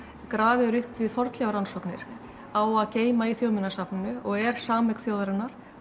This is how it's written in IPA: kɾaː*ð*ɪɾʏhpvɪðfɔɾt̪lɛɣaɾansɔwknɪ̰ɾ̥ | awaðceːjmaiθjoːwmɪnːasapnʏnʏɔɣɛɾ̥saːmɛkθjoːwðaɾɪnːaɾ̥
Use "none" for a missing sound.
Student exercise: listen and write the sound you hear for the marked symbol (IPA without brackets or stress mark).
v